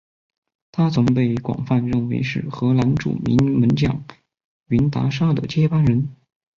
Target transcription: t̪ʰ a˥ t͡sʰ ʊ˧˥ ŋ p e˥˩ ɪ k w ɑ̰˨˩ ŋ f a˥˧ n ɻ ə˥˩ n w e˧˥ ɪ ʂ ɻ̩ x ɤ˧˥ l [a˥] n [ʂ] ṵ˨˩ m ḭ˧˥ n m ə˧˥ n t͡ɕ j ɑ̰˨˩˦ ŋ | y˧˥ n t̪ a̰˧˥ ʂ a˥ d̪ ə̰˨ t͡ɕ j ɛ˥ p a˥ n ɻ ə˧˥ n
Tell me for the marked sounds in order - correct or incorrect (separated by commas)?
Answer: incorrect, incorrect